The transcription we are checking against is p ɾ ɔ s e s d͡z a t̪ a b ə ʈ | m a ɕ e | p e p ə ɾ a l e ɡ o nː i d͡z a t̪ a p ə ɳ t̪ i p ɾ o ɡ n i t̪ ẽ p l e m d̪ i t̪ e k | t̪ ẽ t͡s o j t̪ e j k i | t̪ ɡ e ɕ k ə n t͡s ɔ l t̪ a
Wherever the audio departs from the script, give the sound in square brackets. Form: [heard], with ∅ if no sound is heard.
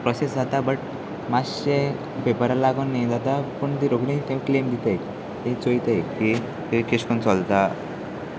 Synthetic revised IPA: p ɾ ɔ s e s d͡z a t̪ a b ə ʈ | m a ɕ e | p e p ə ɾ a l [a] ɡ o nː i d͡z a t̪ a p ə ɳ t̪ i [∅] ɾ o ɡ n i t̪ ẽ [k] l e m d̪ i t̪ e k | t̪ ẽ t͡s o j t̪ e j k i | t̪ [k] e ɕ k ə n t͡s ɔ l t̪ a